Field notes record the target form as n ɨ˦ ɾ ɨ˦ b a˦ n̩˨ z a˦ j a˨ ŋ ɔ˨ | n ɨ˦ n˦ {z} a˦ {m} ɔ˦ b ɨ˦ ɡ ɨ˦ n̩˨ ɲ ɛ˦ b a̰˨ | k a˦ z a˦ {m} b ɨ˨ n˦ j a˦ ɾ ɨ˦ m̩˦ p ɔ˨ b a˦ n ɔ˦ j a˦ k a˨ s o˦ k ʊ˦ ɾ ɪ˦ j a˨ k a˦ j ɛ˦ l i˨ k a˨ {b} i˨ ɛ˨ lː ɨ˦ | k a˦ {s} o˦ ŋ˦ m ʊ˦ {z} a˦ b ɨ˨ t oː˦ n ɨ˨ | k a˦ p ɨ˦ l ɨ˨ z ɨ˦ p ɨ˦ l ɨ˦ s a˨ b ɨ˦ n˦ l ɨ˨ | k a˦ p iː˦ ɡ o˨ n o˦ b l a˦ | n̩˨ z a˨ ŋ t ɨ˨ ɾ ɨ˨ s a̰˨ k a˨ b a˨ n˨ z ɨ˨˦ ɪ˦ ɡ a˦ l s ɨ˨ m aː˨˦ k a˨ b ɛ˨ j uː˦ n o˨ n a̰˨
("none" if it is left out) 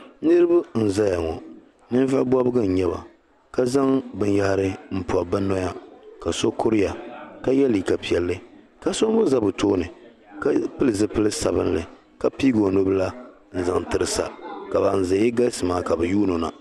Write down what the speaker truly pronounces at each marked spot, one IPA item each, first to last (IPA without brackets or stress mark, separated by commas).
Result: v, b, ŋ, p, s, z